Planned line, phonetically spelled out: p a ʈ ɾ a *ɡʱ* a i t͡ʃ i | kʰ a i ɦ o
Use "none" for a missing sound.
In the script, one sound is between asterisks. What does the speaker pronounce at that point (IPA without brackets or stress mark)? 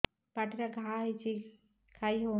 ɡʱ